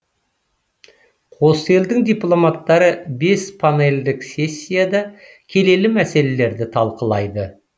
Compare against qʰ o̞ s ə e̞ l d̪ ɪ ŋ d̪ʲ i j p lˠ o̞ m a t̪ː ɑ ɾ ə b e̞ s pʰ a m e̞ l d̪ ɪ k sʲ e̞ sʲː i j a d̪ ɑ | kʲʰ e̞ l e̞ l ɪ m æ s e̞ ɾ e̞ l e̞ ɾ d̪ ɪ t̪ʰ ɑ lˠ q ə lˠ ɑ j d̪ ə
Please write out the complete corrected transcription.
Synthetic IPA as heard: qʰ o̞ s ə e̞ l d̪ ɪ ŋ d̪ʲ i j p lˠ o̞ m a t̪ː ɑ ɾ ə b e̞ s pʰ a n e̞ l d̪ ɪ k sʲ e̞ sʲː i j a d̪ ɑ | kʲʰ e̞ l e̞ l ɪ m æ s e̞ l e̞ l e̞ ɾ d̪ ɪ t̪ʰ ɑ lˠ q ə lˠ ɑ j d̪ ə